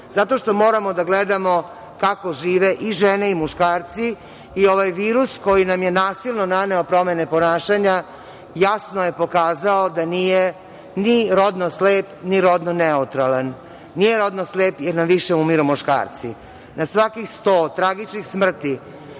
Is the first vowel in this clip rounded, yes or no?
no